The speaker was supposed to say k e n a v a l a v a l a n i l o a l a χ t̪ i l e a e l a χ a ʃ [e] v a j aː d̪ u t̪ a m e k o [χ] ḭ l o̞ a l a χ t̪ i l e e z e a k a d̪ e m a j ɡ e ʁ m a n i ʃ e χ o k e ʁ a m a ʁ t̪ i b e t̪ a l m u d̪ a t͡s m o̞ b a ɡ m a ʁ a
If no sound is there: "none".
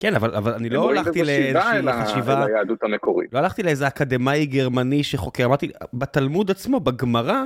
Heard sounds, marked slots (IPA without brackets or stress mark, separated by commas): i, ʁ